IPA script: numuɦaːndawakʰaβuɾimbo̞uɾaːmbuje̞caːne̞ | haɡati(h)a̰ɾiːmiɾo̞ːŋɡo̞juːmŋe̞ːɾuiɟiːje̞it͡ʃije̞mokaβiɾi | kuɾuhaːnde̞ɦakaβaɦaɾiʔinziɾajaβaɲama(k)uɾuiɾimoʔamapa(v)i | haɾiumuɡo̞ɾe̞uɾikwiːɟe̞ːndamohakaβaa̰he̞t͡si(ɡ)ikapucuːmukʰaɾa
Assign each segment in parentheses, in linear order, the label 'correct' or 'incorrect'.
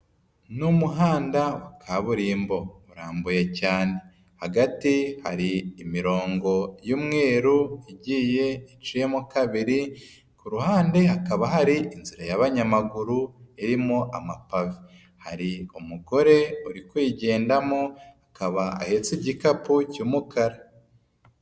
correct, incorrect: ɡ, correct, incorrect: ɟ

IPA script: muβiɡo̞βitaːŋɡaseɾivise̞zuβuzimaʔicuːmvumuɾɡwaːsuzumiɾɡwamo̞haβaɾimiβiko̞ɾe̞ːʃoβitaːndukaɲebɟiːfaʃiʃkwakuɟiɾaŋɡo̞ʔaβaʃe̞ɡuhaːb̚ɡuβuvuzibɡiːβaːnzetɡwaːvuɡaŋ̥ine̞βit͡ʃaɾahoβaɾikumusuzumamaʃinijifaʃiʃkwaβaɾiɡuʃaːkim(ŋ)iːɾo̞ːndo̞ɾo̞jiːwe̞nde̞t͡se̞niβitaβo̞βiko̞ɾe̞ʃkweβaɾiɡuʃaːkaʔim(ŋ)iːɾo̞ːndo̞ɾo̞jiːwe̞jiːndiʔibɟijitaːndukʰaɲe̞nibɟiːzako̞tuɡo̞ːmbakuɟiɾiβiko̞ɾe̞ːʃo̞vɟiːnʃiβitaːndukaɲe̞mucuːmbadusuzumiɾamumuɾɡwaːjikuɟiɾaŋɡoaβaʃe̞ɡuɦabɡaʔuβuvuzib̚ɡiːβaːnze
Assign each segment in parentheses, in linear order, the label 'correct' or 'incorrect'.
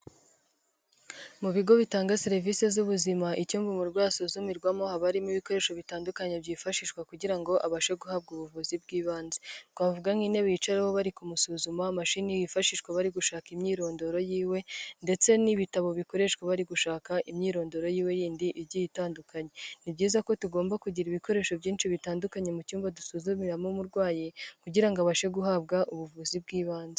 incorrect: ɲ, incorrect: ɲ

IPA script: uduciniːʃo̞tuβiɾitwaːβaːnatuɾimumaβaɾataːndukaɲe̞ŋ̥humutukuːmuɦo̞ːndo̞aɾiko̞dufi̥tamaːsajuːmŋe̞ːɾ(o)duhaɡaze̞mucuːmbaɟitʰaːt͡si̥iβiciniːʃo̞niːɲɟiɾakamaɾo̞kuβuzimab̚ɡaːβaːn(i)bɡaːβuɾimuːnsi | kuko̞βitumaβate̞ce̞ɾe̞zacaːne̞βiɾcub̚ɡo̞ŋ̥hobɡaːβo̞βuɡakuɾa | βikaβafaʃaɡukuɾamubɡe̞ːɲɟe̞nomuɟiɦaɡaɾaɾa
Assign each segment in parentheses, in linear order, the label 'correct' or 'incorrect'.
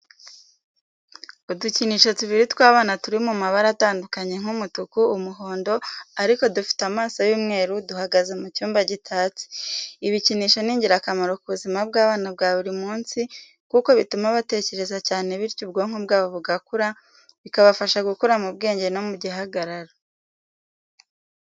incorrect: u, incorrect: a

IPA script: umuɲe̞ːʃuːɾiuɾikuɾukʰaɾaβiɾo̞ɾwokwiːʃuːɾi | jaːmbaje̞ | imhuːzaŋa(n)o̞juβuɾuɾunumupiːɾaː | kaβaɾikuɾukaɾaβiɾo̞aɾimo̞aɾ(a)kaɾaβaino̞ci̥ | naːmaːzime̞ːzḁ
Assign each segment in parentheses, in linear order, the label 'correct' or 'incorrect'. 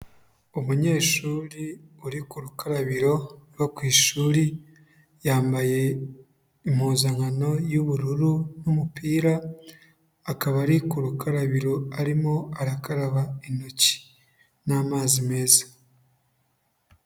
correct, correct

